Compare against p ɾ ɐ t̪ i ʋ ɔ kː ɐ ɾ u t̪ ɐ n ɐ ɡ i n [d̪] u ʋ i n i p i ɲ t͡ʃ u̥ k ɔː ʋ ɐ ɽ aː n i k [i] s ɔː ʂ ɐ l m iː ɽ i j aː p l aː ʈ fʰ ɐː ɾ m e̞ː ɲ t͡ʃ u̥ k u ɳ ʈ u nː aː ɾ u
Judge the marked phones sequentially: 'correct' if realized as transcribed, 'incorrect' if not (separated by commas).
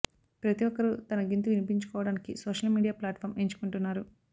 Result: incorrect, correct